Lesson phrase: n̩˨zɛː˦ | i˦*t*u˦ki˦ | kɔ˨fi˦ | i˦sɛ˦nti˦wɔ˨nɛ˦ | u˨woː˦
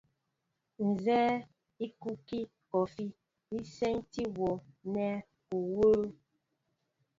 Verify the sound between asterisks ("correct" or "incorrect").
incorrect